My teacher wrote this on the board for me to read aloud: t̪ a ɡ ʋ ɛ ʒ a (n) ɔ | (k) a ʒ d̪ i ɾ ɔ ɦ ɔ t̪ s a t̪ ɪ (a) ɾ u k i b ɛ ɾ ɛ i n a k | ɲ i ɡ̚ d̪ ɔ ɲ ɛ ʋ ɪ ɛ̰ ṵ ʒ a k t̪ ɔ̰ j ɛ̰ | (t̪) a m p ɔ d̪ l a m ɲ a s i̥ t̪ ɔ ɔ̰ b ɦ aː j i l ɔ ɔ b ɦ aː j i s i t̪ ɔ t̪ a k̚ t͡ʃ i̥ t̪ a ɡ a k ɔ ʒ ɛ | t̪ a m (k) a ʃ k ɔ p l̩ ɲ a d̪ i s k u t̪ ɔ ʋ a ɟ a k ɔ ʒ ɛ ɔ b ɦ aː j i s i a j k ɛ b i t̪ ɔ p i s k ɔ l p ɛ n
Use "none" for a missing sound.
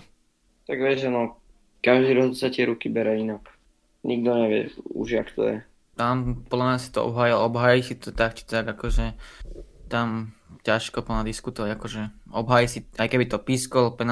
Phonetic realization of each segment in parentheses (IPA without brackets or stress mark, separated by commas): n, k, ɛ, t̪, c